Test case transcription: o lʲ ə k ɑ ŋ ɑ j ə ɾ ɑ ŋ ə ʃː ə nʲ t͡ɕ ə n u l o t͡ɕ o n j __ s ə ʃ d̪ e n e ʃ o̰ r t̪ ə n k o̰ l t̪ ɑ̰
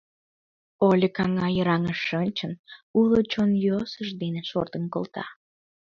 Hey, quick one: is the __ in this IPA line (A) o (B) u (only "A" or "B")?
A